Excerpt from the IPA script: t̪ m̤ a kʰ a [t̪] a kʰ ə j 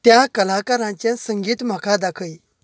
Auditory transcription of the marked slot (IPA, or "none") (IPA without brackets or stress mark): d̪